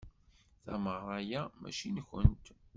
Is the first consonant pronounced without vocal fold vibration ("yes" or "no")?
yes